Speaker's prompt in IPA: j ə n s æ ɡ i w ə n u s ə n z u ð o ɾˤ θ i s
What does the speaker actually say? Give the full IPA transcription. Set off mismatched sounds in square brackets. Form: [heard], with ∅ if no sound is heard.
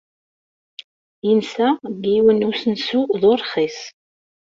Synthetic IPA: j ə n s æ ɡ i w ə n u s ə n [s] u ð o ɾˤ [χ] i s